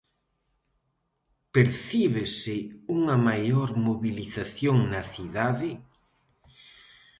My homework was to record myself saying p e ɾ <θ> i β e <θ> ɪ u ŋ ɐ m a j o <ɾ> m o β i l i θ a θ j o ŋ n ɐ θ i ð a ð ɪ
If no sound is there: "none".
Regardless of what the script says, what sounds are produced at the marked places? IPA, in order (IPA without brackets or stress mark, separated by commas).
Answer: θ, s, ɾ